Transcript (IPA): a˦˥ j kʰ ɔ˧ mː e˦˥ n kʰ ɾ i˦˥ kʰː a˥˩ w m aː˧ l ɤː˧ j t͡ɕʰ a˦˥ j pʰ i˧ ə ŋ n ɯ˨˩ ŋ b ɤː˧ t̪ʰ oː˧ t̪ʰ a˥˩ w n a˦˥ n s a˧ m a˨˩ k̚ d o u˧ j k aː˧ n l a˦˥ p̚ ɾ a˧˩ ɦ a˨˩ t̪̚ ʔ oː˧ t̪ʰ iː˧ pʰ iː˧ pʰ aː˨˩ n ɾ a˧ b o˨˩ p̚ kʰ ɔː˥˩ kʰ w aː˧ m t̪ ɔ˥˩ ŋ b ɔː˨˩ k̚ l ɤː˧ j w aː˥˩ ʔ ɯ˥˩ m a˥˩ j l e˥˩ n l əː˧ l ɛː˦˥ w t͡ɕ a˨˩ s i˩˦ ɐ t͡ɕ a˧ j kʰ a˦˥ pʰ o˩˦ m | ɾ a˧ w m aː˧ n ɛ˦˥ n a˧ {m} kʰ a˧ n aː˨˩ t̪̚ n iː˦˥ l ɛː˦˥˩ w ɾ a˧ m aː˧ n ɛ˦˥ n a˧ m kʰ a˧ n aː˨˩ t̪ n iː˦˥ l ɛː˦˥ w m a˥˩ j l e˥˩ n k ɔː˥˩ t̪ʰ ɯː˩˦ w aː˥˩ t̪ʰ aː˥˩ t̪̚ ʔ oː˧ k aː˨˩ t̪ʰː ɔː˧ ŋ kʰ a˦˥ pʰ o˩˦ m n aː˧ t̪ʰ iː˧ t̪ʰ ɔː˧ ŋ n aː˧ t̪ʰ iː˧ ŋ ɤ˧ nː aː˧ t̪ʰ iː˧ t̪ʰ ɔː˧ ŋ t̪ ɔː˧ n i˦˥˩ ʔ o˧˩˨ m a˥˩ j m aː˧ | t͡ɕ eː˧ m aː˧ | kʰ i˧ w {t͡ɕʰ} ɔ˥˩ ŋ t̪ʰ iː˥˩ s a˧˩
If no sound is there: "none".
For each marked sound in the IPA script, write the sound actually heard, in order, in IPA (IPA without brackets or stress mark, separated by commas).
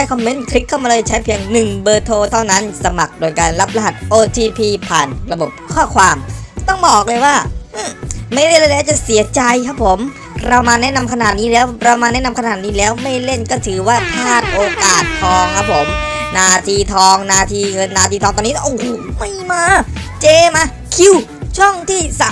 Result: m, t͡ɕʰ